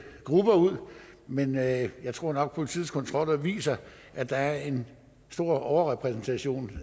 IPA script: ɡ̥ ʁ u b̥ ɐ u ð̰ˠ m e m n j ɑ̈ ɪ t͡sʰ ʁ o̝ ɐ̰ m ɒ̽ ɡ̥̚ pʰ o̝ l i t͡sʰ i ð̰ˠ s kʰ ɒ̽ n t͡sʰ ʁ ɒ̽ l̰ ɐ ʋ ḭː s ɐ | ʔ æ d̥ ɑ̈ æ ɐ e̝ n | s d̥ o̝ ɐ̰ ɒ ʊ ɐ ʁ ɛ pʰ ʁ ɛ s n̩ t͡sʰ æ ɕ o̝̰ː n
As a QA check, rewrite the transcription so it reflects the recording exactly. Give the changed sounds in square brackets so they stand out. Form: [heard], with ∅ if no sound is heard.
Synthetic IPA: ɡ̥ ʁ u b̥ ɐ u ð̰ˠ m e [∅] n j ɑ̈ ɪ t͡sʰ ʁ o̝ ɐ̰ [n] ɒ̽ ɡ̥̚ pʰ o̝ l i t͡sʰ i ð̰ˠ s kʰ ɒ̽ n t͡sʰ ʁ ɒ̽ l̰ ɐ ʋ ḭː s ɐ | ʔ æ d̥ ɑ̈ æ ɐ e̝ n | s d̥ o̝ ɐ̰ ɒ ʊ ɐ ʁ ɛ pʰ ʁ ɛ s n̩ t͡sʰ æ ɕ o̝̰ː n

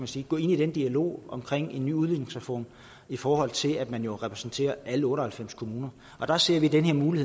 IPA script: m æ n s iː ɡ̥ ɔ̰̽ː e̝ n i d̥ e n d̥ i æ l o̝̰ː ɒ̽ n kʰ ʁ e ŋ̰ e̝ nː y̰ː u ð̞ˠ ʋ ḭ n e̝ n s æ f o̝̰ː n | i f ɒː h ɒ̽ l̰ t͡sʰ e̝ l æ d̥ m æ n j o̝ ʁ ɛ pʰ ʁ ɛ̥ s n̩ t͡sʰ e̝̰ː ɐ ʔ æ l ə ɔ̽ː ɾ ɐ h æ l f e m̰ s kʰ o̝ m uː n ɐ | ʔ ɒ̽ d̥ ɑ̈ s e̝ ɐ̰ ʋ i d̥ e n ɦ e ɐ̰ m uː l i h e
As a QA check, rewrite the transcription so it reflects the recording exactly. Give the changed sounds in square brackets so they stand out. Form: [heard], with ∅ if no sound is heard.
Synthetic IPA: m æ n s iː ɡ̥ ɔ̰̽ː e̝ n i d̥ e n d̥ i æ l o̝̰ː ɒ̽ [m] kʰ ʁ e ŋ̰ e̝ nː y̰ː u ð̞ˠ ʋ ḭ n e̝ [ŋ] s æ f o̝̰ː n | i f ɒː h ɒ̽ l̰ t͡sʰ e̝ l æ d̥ m æ n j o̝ ʁ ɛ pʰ ʁ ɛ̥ s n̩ t͡sʰ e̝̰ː ɐ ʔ æ l ə ɔ̽ː ɾ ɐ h æ l f e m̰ s kʰ o̝ m uː n ɐ | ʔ ɒ̽ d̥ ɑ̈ s e̝ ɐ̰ ʋ i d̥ e n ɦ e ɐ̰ m uː l i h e

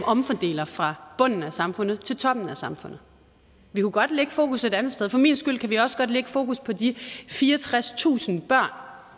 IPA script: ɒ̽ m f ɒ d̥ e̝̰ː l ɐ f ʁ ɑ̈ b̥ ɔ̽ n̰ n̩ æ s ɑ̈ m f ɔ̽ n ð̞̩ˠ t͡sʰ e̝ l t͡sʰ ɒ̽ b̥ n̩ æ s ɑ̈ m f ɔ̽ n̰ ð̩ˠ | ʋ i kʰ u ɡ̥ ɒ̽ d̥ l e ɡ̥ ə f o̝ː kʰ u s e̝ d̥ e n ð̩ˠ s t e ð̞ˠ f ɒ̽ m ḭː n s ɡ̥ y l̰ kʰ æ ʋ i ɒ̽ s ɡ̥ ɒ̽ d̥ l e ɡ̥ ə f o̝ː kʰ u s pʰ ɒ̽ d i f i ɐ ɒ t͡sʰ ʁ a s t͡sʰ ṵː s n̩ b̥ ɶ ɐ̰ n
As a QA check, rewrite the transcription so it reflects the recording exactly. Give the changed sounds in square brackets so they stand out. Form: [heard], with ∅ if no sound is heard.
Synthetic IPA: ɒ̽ m f ɒ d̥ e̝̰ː l ɐ f ʁ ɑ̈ b̥ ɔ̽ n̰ n̩ æ s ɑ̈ m f ɔ̽ n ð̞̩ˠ t͡sʰ e̝ l t͡sʰ ɒ̽ b̥ n̩ æ s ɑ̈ m f ɔ̽ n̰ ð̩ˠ | ʋ i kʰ u ɡ̥ ɒ̽ d̥ l e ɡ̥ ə f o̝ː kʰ u s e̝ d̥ [æ] n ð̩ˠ s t e ð̞ˠ f ɒ̽ m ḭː n s ɡ̥ y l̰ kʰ æ ʋ i ɒ̽ s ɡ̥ ɒ̽ d̥ l e ɡ̥ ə f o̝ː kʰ u s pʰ ɒ̽ d i f [iː] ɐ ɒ t͡sʰ ʁ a s t͡sʰ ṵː s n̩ b̥ ɶ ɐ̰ n

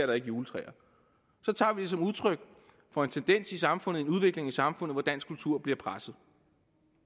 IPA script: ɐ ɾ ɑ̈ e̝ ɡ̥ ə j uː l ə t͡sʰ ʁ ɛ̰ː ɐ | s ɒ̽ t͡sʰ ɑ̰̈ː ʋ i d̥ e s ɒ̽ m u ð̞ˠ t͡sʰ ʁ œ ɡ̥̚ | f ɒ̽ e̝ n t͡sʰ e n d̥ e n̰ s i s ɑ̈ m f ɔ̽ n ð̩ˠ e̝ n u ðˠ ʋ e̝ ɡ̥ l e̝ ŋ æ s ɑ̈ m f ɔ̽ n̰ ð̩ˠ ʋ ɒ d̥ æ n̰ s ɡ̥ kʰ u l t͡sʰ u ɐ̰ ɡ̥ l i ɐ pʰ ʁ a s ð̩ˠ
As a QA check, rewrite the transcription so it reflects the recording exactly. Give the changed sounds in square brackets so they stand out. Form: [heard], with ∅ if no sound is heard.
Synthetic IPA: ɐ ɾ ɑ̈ e̝ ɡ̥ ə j uː l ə t͡sʰ ʁ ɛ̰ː ɐ | s ɒ̽ t͡sʰ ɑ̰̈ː ʋ i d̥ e s ɒ̽ m u ð̞ˠ t͡sʰ ʁ œ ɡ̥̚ | f ɒ̽ e̝ n t͡sʰ e n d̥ e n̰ s i s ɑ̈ m f ɔ̽ n ð̩ˠ e̝ n u ðˠ ʋ e̝ ɡ̥ l e̝ ŋ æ s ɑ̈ m f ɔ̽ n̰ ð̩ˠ ʋ ɒ d̥ æ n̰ s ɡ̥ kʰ u l t͡sʰ u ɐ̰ [b̥] l i ɐ pʰ ʁ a s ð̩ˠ

